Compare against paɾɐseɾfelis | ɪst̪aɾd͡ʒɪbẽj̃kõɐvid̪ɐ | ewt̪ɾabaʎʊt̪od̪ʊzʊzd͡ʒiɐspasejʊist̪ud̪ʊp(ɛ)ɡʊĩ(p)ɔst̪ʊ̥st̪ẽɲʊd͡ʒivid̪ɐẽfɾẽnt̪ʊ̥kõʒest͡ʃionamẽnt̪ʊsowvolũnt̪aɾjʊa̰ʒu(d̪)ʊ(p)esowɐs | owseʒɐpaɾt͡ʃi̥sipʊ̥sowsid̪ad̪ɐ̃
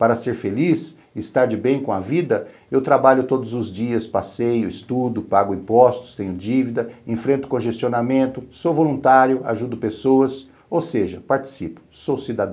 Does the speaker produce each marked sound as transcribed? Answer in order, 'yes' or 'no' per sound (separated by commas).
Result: no, yes, yes, yes